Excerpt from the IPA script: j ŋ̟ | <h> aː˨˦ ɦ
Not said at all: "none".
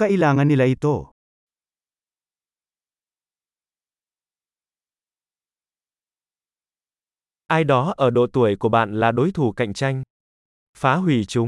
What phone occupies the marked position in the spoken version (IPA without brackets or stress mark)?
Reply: f